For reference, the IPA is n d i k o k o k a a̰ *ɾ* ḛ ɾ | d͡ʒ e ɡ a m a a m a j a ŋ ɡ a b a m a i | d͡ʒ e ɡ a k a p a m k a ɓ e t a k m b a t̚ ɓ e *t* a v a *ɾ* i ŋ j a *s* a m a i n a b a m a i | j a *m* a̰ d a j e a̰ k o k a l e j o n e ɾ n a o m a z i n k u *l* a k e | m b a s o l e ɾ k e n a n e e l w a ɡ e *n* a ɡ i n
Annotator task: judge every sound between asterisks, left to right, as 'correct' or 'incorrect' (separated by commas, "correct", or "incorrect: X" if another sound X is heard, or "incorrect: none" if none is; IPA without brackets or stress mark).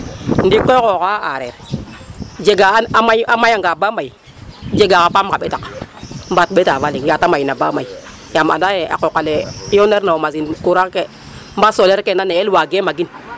correct, correct, incorrect: l, incorrect: t, correct, incorrect: ɾ, incorrect: m